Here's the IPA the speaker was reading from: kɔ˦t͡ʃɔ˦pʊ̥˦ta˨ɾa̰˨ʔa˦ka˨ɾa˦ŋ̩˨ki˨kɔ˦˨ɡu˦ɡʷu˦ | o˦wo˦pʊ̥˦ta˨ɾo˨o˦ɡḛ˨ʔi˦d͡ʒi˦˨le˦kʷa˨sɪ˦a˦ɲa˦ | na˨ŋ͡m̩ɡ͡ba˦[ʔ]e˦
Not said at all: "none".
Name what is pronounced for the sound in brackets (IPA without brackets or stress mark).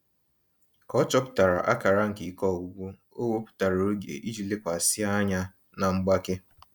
k